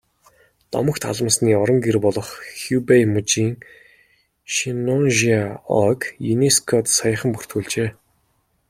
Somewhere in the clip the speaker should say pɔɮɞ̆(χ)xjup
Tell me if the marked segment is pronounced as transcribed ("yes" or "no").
yes